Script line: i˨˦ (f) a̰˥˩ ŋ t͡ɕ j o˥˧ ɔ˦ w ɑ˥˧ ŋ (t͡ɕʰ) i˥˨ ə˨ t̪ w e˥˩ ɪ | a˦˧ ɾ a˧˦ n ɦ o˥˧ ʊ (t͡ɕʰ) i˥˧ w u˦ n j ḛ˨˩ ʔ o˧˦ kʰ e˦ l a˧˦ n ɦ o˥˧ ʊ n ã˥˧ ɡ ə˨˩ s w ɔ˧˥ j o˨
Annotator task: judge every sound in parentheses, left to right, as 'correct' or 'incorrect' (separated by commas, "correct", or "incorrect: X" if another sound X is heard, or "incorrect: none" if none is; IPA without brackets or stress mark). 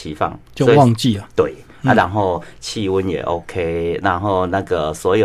correct, incorrect: t͡ɕ, correct